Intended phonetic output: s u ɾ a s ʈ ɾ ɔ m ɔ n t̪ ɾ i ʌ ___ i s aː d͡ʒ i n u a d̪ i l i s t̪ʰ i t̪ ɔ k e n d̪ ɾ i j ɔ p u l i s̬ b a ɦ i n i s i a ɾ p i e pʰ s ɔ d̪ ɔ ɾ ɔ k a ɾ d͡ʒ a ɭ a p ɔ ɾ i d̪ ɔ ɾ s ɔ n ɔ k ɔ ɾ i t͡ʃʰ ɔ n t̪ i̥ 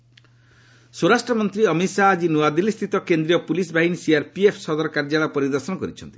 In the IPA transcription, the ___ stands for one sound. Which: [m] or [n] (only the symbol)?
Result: m